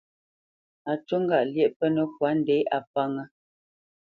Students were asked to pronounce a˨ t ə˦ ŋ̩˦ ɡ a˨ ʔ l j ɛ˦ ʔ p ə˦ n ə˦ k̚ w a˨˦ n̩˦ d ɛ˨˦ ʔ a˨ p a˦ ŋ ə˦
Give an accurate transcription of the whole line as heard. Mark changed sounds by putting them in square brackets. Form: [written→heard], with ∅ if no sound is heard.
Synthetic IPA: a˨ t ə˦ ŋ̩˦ ɡ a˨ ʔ l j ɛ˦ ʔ p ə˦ n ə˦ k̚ w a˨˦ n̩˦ d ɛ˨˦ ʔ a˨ p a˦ ŋ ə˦